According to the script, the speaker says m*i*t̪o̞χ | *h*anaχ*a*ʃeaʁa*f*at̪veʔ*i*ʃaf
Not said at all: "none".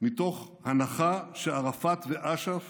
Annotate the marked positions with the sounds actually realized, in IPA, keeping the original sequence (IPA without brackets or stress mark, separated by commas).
i, h, a, f, a